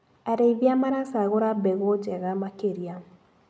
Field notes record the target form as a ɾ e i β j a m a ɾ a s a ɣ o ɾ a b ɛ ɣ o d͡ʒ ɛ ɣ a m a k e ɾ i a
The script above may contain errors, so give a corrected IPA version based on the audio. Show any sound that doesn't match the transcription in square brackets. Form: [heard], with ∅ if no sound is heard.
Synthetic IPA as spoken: a ɾ e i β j a m a ɾ a s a ɣ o ɾ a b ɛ ɣ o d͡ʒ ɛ ɣ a m a k e ɾ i a